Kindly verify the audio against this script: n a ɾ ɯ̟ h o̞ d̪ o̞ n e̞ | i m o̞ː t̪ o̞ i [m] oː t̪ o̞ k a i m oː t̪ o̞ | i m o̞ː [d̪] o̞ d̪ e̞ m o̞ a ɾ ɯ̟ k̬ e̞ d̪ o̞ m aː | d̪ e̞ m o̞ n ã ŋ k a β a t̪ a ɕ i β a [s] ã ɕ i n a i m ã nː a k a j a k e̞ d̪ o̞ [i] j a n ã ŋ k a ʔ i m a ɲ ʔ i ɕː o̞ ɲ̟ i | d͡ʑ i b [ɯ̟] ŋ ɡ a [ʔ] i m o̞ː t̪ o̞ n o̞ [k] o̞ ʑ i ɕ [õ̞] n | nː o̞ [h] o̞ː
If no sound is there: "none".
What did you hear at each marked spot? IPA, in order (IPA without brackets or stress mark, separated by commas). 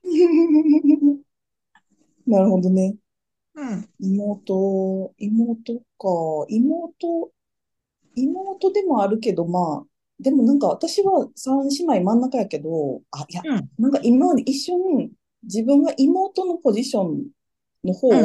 m, t̪, s, a, ɯ̟̃, ʔ, p, õ̞, h